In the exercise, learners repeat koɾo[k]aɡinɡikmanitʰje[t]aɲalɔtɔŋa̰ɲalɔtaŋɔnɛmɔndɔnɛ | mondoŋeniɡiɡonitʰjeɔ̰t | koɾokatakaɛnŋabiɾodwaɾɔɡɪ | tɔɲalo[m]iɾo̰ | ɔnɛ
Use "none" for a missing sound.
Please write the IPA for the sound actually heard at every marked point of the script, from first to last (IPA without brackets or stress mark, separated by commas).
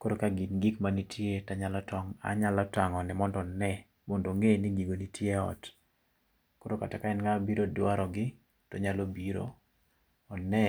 k, t, b